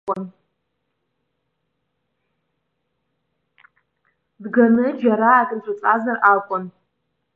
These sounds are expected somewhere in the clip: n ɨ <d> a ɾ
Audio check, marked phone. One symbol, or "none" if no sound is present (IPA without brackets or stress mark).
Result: d͡ʒ